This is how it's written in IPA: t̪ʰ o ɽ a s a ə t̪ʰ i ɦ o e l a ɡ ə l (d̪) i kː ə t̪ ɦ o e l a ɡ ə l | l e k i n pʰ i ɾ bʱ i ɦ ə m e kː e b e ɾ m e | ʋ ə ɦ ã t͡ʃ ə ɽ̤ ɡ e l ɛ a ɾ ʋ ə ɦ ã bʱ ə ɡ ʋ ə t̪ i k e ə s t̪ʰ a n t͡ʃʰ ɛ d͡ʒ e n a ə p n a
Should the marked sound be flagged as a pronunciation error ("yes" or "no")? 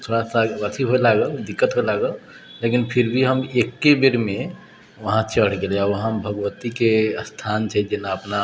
no